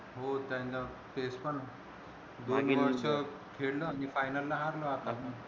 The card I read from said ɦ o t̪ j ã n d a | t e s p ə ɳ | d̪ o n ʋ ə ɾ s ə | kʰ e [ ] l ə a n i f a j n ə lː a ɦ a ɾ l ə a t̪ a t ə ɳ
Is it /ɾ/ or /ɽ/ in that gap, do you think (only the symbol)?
ɽ